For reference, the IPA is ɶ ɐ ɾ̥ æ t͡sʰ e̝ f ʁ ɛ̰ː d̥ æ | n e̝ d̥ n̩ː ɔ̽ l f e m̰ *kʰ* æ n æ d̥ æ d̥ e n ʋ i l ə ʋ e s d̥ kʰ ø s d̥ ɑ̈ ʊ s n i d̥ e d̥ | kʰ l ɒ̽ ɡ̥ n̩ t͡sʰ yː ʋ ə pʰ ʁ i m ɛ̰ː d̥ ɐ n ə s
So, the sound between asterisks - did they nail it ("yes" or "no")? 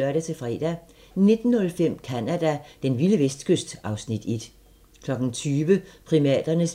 yes